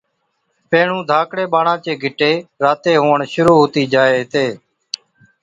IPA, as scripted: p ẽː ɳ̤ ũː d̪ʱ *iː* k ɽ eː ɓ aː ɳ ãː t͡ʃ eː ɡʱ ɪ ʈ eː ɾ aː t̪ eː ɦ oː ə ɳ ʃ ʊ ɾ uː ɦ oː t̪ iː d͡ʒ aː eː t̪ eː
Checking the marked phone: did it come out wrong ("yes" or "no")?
yes